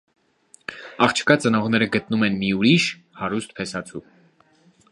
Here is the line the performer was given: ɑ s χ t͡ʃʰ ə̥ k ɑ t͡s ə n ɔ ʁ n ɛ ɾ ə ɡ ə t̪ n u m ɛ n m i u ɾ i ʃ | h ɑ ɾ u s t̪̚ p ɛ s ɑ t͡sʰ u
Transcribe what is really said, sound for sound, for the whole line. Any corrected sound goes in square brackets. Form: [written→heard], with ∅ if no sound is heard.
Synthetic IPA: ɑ [s→∅] χ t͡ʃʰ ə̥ k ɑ t͡s ə n ɔ ʁ n ɛ ɾ ə ɡ ə t̪ n u m ɛ n m i u ɾ i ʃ | h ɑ ɾ u s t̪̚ [p→pʰ] ɛ s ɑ t͡sʰ u

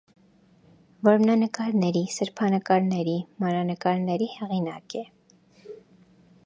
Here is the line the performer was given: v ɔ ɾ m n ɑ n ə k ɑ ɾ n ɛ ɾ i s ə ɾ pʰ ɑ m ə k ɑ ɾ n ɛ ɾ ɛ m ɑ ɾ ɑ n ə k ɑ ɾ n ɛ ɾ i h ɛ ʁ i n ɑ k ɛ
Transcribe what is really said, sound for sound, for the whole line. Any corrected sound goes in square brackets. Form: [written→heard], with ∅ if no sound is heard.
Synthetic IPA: v ɔ ɾ m n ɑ n ə k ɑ ɾ n ɛ ɾ i s ə ɾ pʰ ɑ [m→n] ə k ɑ ɾ n ɛ ɾ [ɛ→i] m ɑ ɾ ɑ n ə k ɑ ɾ n ɛ ɾ i h ɛ ʁ i n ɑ k ɛ

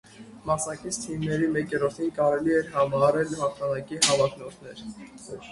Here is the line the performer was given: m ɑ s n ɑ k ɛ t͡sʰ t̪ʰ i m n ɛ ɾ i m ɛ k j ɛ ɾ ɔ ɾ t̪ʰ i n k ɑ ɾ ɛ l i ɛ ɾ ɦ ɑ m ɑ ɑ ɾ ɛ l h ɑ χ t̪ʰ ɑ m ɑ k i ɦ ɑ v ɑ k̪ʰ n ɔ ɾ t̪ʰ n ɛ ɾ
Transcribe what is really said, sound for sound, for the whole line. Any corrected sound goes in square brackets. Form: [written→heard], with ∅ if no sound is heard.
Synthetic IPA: m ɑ s n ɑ k [ɛ→i] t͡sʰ t̪ʰ i m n ɛ ɾ i m ɛ k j ɛ ɾ ɔ ɾ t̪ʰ i n k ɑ ɾ ɛ l i ɛ ɾ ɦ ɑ m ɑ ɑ ɾ ɛ l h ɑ χ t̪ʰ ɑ [m→n] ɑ k i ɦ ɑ v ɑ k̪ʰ n ɔ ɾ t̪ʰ n ɛ ɾ

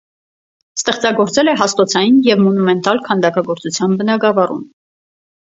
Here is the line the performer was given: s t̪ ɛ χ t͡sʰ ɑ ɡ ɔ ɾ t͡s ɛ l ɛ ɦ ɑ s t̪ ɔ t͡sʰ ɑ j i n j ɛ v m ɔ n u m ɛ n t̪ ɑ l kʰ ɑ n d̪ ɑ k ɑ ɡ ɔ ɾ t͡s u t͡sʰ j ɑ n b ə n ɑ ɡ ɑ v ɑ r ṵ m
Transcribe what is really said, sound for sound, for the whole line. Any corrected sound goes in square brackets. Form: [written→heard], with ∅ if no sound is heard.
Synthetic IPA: s t̪ ɛ χ [t͡sʰ→t͡s] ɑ ɡ ɔ ɾ t͡s ɛ l ɛ ɦ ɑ s t̪ ɔ t͡sʰ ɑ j i n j ɛ v m ɔ n u m ɛ n t̪ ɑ l kʰ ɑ n d̪ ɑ k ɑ ɡ ɔ ɾ t͡s u t͡sʰ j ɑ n b ə n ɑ ɡ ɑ v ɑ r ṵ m

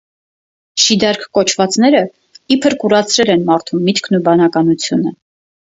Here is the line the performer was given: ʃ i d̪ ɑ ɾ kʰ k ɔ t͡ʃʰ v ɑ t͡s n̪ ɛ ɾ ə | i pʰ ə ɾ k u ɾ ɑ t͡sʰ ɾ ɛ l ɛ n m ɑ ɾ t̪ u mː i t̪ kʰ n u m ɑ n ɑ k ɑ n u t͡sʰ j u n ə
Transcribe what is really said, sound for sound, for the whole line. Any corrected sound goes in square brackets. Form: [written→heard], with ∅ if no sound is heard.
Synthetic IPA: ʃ i d̪ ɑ ɾ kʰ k ɔ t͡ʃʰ v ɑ t͡s n̪ ɛ ɾ ə | i pʰ ə ɾ k u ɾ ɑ t͡sʰ ɾ ɛ l ɛ n m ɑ ɾ [t̪→t̪ʰ] u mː i t̪ kʰ n u [m→b] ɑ n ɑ k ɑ n u t͡sʰ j u n ə

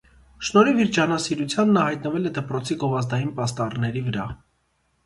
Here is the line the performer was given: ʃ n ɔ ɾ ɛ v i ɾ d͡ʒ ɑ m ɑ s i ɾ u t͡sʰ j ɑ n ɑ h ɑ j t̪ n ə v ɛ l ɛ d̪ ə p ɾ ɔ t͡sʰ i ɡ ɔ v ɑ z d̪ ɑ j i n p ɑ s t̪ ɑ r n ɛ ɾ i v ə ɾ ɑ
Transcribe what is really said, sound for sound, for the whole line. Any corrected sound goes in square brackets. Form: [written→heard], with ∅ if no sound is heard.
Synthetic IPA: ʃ n ɔ ɾ [ɛ→i] v i ɾ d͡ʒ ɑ [m→n] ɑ s i ɾ u t͡sʰ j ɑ [n→nː] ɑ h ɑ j t̪ n ə v ɛ l ɛ d̪ ə p ɾ ɔ t͡sʰ i ɡ ɔ v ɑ z d̪ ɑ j i n p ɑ s t̪ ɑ r n ɛ ɾ i v ə ɾ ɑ

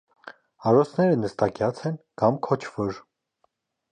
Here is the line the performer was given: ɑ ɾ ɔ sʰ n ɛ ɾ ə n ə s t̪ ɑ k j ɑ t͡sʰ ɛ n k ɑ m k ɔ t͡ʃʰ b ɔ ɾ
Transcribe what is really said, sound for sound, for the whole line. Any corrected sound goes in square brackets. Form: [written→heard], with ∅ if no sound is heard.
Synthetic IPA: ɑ ɾ ɔ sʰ n ɛ ɾ ə n ə s t̪ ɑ k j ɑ t͡sʰ ɛ n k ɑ m [k→kʰ] ɔ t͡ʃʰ [b→v] ɔ ɾ

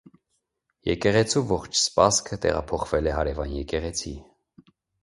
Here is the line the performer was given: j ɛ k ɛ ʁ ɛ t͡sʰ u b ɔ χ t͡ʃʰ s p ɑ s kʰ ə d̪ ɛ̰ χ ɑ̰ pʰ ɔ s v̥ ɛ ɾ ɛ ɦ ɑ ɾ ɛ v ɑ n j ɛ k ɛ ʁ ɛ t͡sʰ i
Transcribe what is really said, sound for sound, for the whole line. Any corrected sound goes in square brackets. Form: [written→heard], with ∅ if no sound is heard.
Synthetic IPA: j ɛ k ɛ ʁ ɛ t͡sʰ u [b→v] ɔ χ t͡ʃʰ s p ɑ s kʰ ə [d̪→t̪] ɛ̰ [χ→ʁ] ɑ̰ pʰ ɔ [s→χ] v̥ ɛ [ɾ→l] ɛ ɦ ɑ ɾ ɛ v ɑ n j ɛ k ɛ ʁ ɛ t͡sʰ i

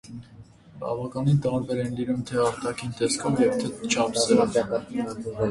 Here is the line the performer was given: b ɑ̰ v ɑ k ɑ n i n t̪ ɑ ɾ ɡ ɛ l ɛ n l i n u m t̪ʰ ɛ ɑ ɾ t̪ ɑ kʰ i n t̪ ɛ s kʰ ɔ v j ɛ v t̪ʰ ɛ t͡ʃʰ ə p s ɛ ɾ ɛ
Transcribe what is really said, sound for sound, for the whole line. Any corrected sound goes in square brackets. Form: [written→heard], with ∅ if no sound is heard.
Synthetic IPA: b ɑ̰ v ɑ k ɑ n i n t̪ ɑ ɾ [ɡ→b] ɛ [l→ɾ] ɛ n l i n u m t̪ʰ ɛ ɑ ɾ t̪ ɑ kʰ i n t̪ ɛ s kʰ ɔ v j ɛ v t̪ʰ ɛ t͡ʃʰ [ə→ɑ] p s ɛ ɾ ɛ

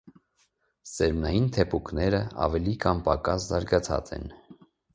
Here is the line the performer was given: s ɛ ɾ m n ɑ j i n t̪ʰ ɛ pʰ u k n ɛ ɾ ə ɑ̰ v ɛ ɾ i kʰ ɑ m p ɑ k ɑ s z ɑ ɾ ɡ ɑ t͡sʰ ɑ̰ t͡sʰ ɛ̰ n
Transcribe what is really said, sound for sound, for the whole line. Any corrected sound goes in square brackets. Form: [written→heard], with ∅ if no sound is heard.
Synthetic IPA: s ɛ ɾ m n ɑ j i n t̪ʰ ɛ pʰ u k n ɛ ɾ ə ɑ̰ v ɛ [ɾ→l] i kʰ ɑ m p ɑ k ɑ s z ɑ ɾ ɡ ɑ t͡sʰ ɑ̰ [t͡sʰ→t͡s] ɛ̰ n

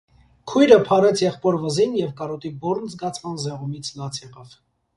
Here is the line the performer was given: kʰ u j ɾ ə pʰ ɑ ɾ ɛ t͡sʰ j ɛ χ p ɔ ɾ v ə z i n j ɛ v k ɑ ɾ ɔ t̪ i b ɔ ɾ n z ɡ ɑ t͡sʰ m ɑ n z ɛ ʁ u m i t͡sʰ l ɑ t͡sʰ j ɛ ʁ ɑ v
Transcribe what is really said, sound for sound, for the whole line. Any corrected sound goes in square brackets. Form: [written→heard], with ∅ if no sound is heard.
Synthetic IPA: kʰ u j ɾ ə pʰ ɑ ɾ ɛ t͡sʰ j ɛ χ p ɔ ɾ v ə z i n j ɛ v k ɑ ɾ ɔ t̪ i b ɔ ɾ n z ɡ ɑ t͡sʰ m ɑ n z ɛ ʁ u m i t͡sʰ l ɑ t͡sʰ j ɛ ʁ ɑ v

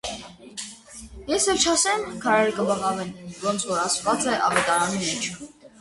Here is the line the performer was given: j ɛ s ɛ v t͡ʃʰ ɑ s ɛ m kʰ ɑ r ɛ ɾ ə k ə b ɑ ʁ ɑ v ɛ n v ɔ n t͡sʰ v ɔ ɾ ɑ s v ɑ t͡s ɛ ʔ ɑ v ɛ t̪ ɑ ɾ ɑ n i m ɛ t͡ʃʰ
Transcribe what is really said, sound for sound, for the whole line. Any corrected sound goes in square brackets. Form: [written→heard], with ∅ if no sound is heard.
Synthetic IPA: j ɛ s ɛ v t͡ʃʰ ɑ s ɛ m kʰ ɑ [r→ɾ] ɛ ɾ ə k ə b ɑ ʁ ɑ v ɛ n v ɔ n t͡sʰ v ɔ ɾ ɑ s v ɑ t͡s ɛ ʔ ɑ v ɛ t̪ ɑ ɾ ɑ n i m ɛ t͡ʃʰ

